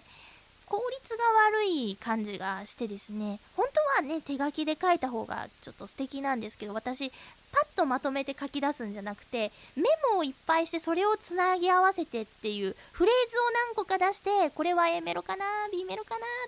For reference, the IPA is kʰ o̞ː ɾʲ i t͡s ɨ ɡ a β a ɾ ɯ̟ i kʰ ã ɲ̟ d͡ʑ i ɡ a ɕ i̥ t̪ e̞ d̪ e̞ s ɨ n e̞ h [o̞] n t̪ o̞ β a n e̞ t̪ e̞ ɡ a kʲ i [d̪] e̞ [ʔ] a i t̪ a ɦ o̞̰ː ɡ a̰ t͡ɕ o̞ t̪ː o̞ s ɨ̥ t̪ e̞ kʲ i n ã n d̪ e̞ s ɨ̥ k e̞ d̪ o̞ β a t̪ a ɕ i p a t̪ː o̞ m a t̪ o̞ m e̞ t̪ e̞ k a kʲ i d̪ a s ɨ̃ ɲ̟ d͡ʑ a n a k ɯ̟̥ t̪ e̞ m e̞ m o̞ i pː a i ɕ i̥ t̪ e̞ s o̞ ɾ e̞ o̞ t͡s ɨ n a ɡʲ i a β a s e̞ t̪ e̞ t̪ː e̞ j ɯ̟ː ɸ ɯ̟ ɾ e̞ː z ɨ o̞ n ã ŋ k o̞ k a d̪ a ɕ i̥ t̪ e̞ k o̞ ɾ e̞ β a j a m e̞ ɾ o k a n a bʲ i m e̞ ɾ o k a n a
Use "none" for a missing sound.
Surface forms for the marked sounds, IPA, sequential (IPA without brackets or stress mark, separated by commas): õ̞, d̪, k